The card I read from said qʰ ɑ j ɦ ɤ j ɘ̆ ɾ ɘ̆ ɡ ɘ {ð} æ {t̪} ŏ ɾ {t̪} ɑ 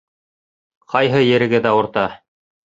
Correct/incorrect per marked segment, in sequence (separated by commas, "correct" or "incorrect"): correct, incorrect, correct